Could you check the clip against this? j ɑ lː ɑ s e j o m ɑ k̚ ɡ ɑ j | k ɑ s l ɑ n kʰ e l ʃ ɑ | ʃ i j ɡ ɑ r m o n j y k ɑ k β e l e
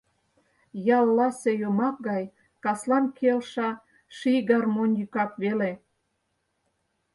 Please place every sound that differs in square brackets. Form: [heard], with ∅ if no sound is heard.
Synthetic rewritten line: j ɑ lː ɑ s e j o m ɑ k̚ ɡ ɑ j | k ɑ s l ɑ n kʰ e l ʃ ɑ | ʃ i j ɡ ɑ r m o n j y k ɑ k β e l e